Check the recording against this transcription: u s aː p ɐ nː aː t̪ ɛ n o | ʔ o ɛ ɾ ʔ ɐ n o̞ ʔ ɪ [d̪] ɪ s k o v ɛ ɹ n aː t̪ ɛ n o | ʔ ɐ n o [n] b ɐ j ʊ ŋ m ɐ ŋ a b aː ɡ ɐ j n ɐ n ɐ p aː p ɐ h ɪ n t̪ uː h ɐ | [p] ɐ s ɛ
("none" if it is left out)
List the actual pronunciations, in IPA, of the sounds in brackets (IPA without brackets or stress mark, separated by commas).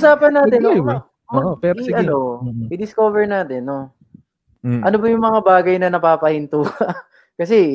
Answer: d̪, none, k